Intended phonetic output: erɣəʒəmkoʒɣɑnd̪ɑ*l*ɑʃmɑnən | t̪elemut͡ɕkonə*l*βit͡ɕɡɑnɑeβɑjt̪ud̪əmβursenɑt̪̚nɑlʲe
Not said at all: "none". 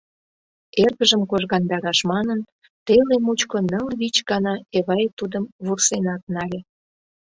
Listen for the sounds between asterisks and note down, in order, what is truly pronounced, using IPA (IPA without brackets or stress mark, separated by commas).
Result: ɾ, l